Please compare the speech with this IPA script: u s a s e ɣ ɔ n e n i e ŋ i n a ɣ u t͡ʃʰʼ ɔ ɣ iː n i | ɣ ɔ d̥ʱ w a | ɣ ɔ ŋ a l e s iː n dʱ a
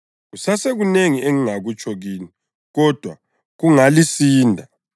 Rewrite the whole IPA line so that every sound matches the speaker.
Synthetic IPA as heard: u s a s e ɣ u n e ŋ i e ŋ i ŋ a ɣ u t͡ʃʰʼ ɔ ɣ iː n i | ɣ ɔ d̥ʱ w a | ɣ u ŋ a l i s iː n dʱ a